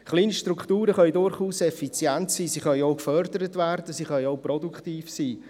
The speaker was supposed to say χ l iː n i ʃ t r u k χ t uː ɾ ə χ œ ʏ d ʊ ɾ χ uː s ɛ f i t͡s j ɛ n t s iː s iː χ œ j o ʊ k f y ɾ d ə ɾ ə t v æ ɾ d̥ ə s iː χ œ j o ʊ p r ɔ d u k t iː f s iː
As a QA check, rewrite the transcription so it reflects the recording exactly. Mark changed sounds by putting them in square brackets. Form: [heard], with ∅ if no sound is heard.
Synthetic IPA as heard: χ l iː n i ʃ t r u k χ t uː ɾ ə χ œ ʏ d ʊ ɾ χ uː s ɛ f i t͡s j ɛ n t s iː s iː χ œ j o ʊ k f [œ] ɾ d ə ɾ ə t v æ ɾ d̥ ə s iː χ œ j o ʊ p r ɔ d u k t iː f s iː